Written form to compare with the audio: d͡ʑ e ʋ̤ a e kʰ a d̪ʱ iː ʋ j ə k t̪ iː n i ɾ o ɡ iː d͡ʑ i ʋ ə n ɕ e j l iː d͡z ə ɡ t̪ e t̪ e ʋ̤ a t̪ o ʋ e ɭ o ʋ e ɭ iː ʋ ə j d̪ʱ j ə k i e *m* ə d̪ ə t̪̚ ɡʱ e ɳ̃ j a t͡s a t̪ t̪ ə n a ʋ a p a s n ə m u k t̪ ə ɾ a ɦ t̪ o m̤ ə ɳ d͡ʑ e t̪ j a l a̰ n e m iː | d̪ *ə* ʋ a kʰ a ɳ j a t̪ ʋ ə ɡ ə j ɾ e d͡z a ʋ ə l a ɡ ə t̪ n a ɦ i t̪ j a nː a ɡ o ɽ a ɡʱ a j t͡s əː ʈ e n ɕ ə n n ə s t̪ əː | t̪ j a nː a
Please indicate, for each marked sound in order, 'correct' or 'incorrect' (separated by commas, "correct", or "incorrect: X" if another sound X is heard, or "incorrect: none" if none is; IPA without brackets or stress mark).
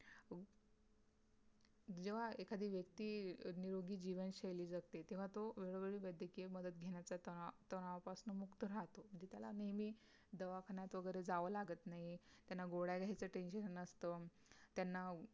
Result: correct, correct